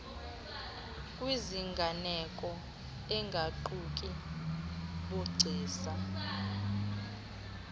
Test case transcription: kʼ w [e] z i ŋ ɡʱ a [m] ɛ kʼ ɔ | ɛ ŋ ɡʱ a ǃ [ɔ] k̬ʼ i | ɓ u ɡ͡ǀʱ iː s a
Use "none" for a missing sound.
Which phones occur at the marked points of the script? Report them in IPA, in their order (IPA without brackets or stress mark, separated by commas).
i, n, u